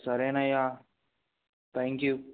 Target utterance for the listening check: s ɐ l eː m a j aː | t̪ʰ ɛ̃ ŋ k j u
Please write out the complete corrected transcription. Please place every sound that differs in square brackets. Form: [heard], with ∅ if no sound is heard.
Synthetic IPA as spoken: s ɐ [ɾ] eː [n] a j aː | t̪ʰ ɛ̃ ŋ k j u